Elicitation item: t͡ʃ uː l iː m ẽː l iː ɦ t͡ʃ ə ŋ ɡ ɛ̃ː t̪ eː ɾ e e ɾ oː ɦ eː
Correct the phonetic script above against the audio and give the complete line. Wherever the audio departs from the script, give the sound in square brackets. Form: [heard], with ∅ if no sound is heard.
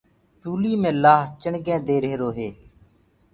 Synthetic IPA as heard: t͡ʃ uː l iː m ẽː l [aː] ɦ t͡ʃ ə [ɳ] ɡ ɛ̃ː [d̪] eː ɾ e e ɾ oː ɦ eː